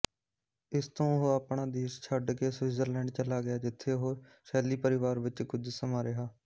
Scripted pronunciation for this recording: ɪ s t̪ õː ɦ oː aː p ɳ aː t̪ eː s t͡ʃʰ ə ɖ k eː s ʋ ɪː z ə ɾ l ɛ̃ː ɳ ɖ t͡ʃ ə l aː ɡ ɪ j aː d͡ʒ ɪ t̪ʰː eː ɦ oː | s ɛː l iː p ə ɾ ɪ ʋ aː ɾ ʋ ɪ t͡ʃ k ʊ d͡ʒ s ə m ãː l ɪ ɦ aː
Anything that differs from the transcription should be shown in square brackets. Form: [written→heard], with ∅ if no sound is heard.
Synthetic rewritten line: ɪ s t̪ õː ɦ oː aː p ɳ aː [t̪→d̪] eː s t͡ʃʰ ə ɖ k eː s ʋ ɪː z ə ɾ l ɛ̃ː ɳ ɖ t͡ʃ ə l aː ɡ ɪ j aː d͡ʒ ɪ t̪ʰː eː ɦ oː | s ɛː l iː p ə ɾ ɪ ʋ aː ɾ ʋ ɪ t͡ʃ k ʊ d͡ʒ s ə m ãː [l→ɾ] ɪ ɦ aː